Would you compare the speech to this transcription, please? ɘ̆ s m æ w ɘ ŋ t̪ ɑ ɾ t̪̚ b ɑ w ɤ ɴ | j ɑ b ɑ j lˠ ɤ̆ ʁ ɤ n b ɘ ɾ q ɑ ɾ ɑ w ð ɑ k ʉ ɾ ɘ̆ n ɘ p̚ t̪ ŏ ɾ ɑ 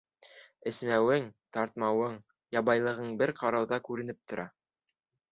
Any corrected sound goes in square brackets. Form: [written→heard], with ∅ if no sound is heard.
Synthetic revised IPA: ɘ̆ s m æ w ɘ ŋ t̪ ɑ ɾ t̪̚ [b→m] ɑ w ɤ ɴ | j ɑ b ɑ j lˠ ɤ̆ ʁ ɤ [n→ɴ] b ɘ ɾ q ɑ ɾ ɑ w ð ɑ k ʉ ɾ ɘ̆ n ɘ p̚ t̪ ŏ ɾ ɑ